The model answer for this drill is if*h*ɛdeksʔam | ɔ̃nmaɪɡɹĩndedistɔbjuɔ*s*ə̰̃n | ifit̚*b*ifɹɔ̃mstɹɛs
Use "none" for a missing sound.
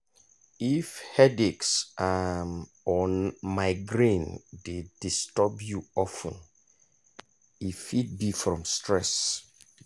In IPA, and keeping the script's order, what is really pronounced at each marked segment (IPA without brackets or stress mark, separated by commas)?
h, f, b